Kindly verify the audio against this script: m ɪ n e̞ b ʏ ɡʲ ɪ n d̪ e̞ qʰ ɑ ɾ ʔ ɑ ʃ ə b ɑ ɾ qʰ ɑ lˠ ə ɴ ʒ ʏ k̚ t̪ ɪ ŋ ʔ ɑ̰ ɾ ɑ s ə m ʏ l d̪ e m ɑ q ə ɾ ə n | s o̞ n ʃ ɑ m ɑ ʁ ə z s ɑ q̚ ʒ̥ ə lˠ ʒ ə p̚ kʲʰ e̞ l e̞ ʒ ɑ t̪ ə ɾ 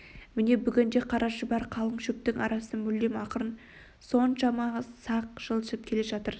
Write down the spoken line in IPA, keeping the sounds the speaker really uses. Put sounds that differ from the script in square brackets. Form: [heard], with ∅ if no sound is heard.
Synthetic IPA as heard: m ɪ n e̞ b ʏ ɡʲ ɪ n d̪ e̞ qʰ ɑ ɾ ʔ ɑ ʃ ə b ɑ ɾ qʰ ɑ lˠ ə ɴ [ʃ] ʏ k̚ t̪ ɪ ŋ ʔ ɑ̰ ɾ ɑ s ə m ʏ l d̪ e m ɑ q ə ɾ ə n | s o̞ n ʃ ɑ m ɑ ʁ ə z s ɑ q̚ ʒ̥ ə lˠ [ʃ] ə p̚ kʲʰ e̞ l e̞ ʒ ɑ t̪ ə ɾ